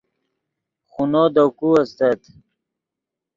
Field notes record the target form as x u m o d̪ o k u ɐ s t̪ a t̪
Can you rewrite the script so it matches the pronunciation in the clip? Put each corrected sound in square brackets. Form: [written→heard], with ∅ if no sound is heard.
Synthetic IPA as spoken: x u [m→n] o d̪ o k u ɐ s t̪ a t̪